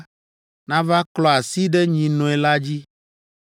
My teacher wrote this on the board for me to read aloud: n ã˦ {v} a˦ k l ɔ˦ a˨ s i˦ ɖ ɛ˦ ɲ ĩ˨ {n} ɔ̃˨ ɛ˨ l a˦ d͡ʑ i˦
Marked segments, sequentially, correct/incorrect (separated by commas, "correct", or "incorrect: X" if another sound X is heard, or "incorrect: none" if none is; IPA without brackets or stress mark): correct, correct